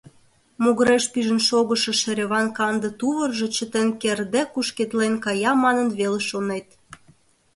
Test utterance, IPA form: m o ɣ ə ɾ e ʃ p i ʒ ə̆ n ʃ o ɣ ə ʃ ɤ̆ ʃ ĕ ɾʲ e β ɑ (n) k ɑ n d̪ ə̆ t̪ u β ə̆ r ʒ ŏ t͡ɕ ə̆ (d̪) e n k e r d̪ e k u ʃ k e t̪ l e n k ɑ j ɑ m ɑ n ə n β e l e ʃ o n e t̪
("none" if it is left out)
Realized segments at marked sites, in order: n, t̪

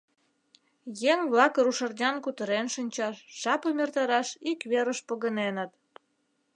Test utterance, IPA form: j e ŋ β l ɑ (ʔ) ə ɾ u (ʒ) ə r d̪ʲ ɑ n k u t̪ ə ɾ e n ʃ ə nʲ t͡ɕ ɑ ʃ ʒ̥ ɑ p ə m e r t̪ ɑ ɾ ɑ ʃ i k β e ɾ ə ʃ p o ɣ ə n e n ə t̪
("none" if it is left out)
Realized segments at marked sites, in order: k, ʃ

